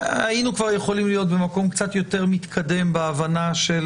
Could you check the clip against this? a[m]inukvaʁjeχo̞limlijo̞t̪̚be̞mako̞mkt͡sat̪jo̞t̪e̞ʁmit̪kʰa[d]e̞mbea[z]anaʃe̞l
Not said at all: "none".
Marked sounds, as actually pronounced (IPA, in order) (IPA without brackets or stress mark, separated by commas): none, d, v